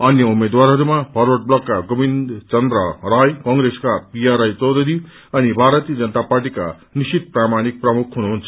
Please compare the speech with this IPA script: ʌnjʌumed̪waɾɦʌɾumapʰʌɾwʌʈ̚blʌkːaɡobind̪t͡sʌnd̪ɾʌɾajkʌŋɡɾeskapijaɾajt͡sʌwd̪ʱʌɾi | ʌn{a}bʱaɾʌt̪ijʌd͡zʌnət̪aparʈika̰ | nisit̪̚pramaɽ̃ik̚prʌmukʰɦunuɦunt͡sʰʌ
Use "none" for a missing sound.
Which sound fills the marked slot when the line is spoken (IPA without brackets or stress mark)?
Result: i